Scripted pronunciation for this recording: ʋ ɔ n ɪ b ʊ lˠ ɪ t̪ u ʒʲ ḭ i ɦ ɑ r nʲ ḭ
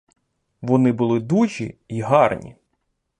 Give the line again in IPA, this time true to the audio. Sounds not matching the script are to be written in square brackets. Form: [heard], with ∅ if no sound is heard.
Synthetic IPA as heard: ʋ ɔ n ɪ b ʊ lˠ ɪ [d̪] u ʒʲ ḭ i ɦ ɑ r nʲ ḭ